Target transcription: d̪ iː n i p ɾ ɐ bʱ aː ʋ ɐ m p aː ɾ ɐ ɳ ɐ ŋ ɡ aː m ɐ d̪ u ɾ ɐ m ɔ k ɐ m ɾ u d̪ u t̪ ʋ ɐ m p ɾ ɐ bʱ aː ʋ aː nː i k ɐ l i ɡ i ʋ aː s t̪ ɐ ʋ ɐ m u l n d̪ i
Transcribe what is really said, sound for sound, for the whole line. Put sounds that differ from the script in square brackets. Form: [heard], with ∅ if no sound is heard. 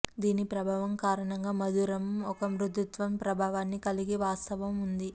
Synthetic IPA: d̪ iː n i p ɾ ɐ bʱ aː ʋ ɐ m [k] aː ɾ ɐ ɳ ɐ ŋ ɡ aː m ɐ d̪ u ɾ ɐ m ɔ k ɐ m ɾ u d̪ u t̪ ʋ ɐ m p ɾ ɐ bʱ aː ʋ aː nː i k ɐ l i ɡ i ʋ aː s t̪ ɐ ʋ ɐ m u [∅] n d̪ i